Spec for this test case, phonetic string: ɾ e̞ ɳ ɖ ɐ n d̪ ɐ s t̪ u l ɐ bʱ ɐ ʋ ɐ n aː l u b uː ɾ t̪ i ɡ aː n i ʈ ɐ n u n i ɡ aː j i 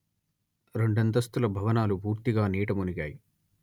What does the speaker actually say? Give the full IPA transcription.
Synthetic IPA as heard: ɾ e̞ ɳ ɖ ɐ n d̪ ɐ s t̪ u l ɐ bʱ ɐ ʋ ɐ n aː l u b uː ɾ t̪ i ɡ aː n iː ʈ ɐ m u n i ɡ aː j i